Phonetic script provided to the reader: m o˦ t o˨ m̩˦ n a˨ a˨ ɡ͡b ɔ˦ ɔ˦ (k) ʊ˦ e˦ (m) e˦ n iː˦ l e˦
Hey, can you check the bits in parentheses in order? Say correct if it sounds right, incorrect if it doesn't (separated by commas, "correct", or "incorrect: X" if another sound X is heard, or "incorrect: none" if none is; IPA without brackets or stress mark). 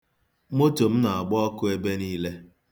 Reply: correct, incorrect: b